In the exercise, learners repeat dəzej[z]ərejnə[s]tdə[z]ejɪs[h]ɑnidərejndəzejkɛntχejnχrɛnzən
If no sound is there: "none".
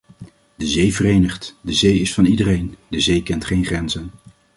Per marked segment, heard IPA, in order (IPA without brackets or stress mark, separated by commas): v, χ, z, f